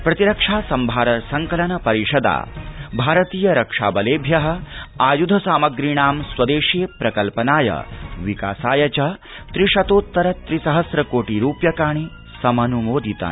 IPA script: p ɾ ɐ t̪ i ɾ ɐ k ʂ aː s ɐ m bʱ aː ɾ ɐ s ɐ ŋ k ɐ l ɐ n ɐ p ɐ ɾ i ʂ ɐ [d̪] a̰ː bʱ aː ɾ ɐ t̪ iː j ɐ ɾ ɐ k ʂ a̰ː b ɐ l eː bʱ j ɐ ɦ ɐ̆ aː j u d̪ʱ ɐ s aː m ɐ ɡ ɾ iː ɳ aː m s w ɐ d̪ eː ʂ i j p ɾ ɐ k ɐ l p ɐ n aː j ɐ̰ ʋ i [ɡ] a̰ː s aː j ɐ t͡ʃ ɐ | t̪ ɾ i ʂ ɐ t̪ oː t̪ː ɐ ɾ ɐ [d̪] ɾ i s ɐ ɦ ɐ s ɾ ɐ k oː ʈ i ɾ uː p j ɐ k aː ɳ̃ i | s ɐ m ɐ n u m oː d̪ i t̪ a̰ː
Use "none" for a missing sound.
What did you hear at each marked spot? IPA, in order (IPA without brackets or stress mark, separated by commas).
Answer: d̪, k, t̪